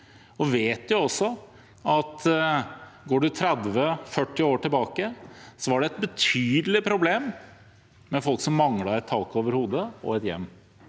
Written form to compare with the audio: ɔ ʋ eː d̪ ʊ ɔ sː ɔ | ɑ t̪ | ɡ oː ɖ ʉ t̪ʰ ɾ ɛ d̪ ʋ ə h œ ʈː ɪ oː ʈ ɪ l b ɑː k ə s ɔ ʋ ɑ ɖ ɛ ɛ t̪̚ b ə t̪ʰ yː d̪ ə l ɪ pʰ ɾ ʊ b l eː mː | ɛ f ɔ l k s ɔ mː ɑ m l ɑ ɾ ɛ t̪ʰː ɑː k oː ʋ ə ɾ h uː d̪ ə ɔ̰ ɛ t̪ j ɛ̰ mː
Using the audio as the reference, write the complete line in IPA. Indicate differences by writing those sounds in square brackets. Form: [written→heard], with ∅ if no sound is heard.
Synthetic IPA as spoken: ɔ ʋ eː [d̪→t̪] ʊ ɔ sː ɔ | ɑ t̪ | ɡ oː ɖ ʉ t̪ʰ ɾ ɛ d̪ ʋ ə [h→f] œ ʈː ɪ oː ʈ ɪ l b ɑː k ə s ɔ ʋ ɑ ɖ ɛ ɛ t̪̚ b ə t̪ʰ yː d̪ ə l ɪ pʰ ɾ ʊ b l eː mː | ɛ f ɔ l k s ɔ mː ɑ [m→ŋ] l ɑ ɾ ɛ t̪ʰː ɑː k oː ʋ ə ɾ h uː d̪ ə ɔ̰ ɛ t̪ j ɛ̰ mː